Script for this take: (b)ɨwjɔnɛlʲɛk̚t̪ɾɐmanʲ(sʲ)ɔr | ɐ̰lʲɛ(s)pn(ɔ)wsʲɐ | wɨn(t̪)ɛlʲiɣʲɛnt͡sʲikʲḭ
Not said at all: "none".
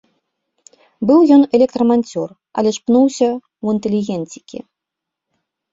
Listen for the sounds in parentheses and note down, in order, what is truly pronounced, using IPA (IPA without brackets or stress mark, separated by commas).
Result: b, t͡sʲ, ʂ, u, t̪